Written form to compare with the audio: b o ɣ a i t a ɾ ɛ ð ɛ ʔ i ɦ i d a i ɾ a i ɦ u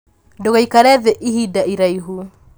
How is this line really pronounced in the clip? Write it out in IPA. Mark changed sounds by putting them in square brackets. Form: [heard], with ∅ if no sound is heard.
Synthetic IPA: [d] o ɣ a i [k] a ɾ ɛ ð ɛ ʔ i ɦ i d a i ɾ a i ɦ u

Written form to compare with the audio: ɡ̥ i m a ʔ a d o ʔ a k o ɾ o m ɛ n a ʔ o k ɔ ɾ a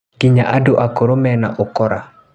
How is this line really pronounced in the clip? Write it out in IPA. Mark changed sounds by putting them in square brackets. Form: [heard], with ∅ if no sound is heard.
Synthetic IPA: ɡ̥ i [ɲ] a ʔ a d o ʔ a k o ɾ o m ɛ n a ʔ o k ɔ ɾ a

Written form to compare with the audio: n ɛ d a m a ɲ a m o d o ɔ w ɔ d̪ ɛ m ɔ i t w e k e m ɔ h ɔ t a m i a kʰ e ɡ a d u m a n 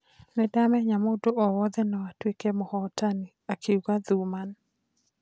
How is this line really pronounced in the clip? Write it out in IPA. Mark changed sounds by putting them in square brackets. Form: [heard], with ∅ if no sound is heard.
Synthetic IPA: n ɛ d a m [ɛ] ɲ a m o d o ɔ w ɔ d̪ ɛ [n] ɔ [a] t w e k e m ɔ h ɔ t a [n] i a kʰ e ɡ a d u m a n

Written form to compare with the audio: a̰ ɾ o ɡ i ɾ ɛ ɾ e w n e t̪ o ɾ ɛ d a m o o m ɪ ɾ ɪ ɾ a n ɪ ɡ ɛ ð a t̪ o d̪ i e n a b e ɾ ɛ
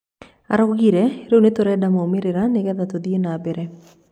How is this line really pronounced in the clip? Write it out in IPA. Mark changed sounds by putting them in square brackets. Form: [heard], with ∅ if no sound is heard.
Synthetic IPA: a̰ ɾ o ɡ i ɾ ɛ ɾ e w n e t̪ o ɾ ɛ d a m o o m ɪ ɾ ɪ ɾ a n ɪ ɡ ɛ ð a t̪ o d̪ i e n a b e ɾ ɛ

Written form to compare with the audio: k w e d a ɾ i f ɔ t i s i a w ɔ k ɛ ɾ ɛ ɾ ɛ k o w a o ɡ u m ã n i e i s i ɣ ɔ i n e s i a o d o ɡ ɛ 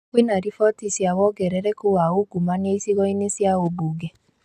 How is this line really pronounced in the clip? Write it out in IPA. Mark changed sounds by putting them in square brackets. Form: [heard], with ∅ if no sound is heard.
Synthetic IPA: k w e [n] a ɾ i f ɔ t i s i a w ɔ [ɡ] ɛ ɾ ɛ ɾ ɛ k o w a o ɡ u m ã n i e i s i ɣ ɔ i n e s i a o [b] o ɡ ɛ

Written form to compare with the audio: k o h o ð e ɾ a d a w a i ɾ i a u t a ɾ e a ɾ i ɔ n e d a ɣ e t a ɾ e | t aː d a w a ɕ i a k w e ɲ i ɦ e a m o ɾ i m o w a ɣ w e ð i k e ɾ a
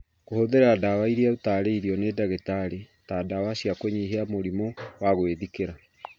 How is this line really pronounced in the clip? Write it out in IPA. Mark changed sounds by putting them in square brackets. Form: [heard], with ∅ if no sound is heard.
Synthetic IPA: k o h o ð e ɾ a d a w a i ɾ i a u t a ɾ e [i] ɾ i ɔ n e d a ɣ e t a ɾ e | t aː d a w a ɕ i a k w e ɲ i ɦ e a m o ɾ i m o w a ɣ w e ð i k e ɾ a

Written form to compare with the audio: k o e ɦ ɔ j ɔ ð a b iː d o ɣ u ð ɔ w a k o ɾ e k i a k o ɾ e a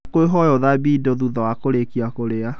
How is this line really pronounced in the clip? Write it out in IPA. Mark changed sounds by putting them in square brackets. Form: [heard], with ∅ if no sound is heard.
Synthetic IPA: k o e ɦ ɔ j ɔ ð a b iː d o [ð] u ð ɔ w a k o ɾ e k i a k o ɾ e a

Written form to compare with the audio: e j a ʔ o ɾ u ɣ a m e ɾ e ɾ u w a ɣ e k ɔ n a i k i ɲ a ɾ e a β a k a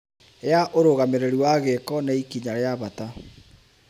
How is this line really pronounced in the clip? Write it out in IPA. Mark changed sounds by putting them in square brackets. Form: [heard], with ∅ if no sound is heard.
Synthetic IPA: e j a ʔ o ɾ [o] ɣ a m e ɾ e ɾ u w a ɣ e k ɔ n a i k i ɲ a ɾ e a β a [t] a

